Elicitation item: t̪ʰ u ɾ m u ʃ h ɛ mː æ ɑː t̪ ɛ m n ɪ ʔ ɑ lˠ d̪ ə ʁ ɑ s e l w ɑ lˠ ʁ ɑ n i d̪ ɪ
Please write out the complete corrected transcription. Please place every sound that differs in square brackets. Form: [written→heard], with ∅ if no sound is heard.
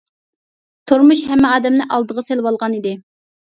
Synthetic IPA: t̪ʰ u ɾ m u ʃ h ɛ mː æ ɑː [t̪→d̪] ɛ m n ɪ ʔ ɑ lˠ d̪ ə ʁ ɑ s e l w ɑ lˠ ʁ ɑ n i d̪ ɪ